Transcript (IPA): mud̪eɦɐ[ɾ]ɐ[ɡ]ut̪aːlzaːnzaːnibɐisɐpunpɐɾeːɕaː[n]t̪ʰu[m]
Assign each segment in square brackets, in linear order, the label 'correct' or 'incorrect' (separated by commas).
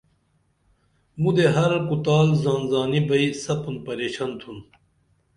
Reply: correct, incorrect, correct, incorrect